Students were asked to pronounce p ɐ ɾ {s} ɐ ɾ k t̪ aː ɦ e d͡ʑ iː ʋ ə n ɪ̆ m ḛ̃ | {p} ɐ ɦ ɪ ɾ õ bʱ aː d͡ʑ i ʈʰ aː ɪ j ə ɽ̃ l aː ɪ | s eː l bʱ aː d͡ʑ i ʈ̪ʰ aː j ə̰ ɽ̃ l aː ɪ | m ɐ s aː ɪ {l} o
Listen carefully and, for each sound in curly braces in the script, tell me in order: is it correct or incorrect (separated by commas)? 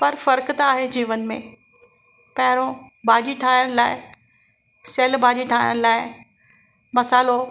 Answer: incorrect, correct, correct